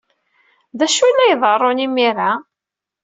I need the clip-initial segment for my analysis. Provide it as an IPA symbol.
ð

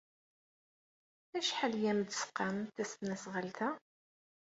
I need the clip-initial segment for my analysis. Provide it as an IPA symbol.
æ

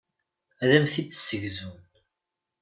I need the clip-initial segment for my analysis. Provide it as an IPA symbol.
æ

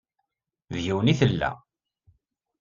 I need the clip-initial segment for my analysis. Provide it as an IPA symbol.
ð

